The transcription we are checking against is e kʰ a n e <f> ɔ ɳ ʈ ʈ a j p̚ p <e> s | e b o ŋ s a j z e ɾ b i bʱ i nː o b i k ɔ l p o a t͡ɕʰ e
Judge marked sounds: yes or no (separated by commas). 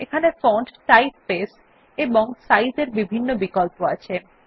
yes, yes